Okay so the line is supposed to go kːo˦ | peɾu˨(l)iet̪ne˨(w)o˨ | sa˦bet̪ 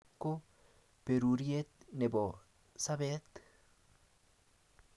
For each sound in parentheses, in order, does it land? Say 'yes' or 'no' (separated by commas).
no, no